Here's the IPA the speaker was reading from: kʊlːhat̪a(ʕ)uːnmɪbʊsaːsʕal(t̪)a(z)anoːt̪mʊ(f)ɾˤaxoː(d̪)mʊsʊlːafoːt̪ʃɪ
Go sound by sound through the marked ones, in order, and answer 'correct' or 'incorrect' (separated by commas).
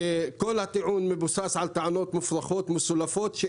correct, correct, incorrect, correct, incorrect